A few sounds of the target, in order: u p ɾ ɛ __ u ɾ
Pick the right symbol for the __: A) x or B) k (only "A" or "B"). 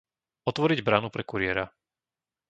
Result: B